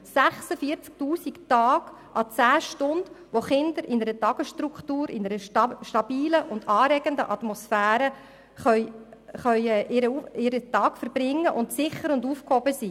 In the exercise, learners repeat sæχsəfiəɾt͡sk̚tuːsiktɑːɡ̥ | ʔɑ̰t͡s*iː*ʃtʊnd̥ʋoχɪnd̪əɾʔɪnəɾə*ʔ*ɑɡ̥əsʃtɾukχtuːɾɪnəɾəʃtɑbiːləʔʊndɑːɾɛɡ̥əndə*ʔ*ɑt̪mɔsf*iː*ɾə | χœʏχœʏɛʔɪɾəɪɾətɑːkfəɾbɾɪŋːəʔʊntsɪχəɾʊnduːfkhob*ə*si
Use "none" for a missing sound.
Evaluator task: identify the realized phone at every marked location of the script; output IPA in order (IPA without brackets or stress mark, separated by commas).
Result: æː, t, ʔ, æː, ə